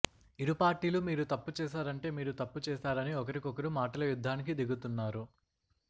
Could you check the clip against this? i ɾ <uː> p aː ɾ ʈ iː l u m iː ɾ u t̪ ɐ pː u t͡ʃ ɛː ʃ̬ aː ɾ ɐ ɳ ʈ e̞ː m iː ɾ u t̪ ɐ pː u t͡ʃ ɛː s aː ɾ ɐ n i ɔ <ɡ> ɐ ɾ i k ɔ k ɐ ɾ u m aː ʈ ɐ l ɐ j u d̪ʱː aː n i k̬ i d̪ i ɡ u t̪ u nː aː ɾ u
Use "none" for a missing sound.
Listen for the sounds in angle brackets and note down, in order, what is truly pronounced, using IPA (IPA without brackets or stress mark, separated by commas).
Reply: u, k